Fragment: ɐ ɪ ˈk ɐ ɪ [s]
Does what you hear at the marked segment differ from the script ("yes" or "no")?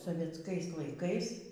no